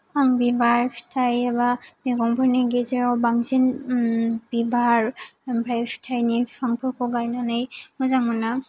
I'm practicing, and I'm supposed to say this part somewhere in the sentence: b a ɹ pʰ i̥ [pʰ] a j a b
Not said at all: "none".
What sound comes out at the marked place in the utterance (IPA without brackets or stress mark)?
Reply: tʰ